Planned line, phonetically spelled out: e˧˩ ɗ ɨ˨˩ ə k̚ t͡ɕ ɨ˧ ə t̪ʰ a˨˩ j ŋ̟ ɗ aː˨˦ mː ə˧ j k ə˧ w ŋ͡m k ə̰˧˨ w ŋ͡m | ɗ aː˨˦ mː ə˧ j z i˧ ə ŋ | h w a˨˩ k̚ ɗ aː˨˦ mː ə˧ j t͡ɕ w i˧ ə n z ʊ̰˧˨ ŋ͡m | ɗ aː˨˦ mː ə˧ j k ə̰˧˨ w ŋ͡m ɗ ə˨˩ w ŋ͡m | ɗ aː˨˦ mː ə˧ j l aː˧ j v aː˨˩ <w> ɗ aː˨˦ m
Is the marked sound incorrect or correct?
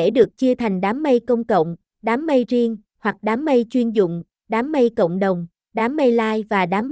incorrect